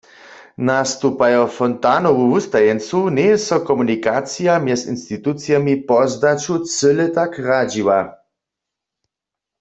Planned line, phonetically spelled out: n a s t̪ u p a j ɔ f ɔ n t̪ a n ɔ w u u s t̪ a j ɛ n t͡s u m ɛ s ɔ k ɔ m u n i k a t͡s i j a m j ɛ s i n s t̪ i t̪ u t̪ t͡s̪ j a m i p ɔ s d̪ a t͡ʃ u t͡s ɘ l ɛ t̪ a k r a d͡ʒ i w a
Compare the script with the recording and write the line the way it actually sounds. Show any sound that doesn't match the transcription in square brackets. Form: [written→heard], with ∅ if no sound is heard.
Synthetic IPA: n a s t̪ u p a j ɔ f ɔ n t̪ a n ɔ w u u s t̪ a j ɛ n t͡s u [m→n] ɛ s ɔ k ɔ m u n i k a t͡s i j a m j ɛ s i n s t̪ i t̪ u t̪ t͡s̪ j a m i p ɔ [s→z] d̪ a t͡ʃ u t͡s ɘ l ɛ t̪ a k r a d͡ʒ i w a